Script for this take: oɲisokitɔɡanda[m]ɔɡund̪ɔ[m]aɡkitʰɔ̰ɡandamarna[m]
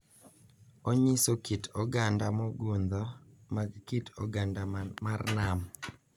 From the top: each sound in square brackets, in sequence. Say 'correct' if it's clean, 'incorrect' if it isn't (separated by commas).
correct, correct, correct